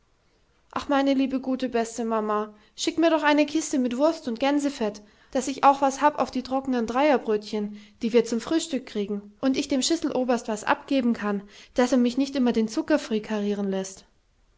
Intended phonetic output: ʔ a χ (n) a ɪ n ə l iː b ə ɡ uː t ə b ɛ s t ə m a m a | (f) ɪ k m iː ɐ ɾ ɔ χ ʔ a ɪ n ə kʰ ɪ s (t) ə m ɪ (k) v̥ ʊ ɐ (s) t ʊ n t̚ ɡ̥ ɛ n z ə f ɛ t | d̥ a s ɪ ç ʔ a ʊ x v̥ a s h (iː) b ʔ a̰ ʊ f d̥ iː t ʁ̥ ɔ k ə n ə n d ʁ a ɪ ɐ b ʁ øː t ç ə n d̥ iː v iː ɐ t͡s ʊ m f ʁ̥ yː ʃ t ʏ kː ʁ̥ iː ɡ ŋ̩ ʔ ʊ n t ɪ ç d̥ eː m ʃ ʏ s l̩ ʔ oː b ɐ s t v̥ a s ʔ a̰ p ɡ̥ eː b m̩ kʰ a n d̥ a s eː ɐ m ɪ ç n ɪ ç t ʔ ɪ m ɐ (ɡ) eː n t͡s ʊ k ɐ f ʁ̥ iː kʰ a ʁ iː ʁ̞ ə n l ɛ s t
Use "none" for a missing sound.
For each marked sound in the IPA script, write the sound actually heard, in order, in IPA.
m, ʃ, t, t, s, aː, d

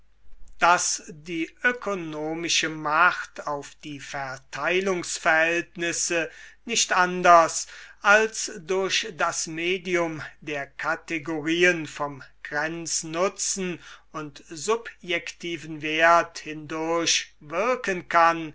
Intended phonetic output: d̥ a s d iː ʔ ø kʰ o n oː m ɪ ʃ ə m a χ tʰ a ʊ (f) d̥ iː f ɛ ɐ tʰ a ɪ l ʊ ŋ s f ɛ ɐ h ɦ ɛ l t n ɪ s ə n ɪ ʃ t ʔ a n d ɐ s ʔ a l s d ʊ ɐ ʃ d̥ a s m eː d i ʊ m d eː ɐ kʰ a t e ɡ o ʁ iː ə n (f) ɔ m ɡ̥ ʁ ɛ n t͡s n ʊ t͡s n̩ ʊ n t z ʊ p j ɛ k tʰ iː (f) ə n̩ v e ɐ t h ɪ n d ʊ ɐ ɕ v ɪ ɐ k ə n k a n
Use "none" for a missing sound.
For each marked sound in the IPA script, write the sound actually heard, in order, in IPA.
f, f, v

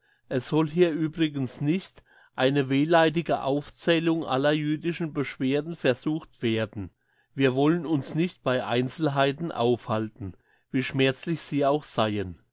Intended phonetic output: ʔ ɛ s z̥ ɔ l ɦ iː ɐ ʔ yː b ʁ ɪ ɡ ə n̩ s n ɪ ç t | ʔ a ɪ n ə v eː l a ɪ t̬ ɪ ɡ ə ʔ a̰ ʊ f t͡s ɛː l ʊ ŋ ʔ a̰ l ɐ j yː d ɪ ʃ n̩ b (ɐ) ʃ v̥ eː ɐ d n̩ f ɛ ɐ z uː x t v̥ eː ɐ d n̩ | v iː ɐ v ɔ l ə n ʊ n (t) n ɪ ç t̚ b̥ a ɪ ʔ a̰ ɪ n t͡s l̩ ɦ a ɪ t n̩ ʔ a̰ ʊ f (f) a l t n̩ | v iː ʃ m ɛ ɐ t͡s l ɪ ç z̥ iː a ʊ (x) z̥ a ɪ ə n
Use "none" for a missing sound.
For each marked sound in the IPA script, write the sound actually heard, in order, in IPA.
ə, s, h, x

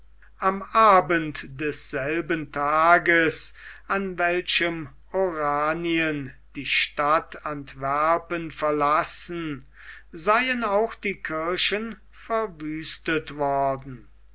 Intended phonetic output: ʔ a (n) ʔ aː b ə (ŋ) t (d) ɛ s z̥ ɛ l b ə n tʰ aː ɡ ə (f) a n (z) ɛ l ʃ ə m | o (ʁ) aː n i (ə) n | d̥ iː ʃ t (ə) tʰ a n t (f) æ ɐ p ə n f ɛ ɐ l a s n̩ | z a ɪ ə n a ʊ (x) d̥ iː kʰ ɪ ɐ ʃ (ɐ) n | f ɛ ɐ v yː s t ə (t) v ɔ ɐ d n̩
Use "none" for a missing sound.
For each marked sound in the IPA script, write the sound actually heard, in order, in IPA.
m, n, d, s, v, ʁ, ə, a, v, x, ə, t

